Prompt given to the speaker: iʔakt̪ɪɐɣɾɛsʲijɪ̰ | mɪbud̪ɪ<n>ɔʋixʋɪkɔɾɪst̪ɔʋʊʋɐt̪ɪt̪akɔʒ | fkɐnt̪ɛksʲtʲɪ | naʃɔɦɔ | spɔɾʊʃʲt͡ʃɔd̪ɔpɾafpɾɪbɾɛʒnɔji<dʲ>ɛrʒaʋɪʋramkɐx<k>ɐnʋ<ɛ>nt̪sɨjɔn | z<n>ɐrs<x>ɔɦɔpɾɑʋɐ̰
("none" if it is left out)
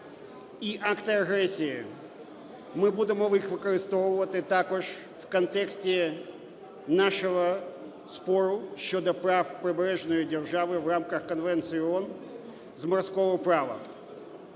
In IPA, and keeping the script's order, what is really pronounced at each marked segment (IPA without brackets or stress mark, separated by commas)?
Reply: m, dʲ, k, ɛ, m, k